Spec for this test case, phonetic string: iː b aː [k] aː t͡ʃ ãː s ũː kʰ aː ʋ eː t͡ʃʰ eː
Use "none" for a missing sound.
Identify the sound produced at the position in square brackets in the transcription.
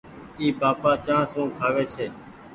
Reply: p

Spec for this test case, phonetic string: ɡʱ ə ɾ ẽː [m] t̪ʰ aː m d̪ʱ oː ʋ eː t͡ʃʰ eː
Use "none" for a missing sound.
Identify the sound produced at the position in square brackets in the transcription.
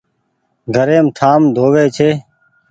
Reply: m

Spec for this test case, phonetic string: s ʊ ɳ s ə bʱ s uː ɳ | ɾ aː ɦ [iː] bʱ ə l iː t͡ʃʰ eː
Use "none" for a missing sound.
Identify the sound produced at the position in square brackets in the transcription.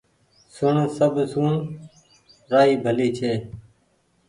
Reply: iː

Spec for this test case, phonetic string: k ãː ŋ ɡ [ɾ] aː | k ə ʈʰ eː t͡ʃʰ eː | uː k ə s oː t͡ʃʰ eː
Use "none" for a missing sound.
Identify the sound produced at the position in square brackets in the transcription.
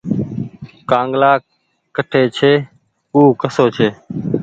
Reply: l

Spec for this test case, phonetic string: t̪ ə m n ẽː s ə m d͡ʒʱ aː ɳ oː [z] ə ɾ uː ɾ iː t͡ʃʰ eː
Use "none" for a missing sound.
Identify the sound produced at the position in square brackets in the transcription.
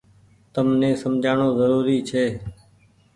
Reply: z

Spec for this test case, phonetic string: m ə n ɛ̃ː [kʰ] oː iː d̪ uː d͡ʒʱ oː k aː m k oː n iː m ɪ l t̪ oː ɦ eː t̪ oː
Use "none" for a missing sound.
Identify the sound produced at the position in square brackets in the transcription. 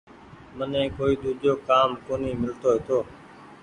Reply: k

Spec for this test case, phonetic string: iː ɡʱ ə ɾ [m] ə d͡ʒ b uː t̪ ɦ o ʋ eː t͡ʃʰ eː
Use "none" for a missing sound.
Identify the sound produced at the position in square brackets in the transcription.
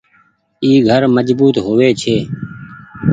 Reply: m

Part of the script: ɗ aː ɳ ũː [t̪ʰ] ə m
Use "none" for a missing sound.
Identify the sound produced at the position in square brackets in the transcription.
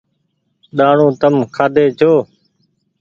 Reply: t̪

